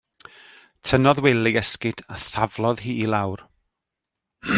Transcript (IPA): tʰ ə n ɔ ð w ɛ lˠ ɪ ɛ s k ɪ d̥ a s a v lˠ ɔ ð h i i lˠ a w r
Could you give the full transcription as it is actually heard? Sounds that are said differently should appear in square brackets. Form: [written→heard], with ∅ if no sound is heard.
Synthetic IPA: tʰ ə n ɔ ð w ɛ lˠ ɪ ɛ s k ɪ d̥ a [s→θ] a v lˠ ɔ ð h [i→iː] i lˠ a w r

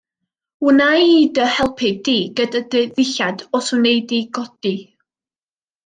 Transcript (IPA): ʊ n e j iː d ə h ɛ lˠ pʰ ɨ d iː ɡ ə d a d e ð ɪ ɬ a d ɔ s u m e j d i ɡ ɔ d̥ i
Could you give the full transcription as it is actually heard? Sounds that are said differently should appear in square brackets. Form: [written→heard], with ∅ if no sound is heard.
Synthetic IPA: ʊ n [e→a] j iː d ə h ɛ lˠ pʰ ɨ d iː ɡ ə d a d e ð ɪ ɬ a d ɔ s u [m→n] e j d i ɡ ɔ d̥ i

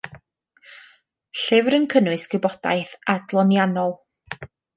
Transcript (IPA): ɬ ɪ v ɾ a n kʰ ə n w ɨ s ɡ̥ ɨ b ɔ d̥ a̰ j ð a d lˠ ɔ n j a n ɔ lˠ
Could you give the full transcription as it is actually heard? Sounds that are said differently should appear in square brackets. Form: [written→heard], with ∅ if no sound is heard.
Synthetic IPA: ɬ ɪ v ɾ [a→ə] n kʰ ə n w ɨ s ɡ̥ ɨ b ɔ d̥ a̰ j [ð→θ] a d lˠ ɔ n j a n ɔ lˠ

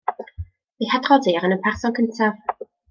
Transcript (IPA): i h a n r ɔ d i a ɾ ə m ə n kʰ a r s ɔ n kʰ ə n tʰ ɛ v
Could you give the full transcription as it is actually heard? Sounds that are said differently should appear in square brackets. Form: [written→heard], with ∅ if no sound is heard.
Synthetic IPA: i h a [n→d] r ɔ d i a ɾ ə [m→n] ə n [kʰ→pʰ] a r s ɔ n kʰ ə n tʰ [ɛ→a] v

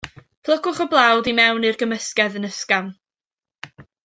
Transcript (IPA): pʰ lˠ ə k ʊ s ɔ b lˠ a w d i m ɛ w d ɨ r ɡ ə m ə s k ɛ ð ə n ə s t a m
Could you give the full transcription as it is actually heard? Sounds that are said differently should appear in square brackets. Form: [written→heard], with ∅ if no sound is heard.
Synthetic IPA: pʰ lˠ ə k ʊ [s→χ] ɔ b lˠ a w d i m ɛ w [d→n] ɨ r ɡ ə m ə s k ɛ ð ə n ə s [t→k] a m

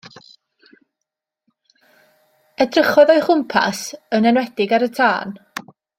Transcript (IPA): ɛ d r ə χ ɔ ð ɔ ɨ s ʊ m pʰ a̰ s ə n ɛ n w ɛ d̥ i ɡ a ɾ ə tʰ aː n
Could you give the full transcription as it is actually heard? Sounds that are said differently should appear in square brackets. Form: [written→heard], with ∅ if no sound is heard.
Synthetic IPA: ɛ d r ə χ ɔ ð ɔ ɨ [s→χ] ʊ m pʰ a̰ s ə n ɛ n w ɛ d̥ [i→ɪ] ɡ a ɾ ə tʰ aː n

